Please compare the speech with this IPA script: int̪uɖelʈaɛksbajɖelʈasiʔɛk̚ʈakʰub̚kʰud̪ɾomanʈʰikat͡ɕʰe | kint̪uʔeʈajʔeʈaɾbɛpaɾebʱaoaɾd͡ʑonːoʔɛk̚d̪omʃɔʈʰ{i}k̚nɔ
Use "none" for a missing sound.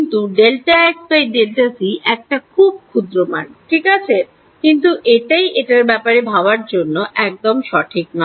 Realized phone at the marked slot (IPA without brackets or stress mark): i